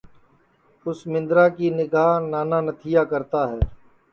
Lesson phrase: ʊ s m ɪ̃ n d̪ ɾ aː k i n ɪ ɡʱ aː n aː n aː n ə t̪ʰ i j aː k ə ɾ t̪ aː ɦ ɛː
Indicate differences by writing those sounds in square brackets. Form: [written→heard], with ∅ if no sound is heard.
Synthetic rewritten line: ʊ s m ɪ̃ n d̪ ɾ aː k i n ɪ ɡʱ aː n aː n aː n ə t̪ʰ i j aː k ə ɾ t̪ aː ɦ ɛː